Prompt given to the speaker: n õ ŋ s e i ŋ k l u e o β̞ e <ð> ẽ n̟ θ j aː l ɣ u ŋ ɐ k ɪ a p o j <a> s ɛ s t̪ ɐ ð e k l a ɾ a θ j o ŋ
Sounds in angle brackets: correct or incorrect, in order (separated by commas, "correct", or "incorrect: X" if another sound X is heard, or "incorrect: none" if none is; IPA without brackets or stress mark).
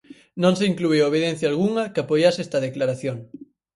correct, correct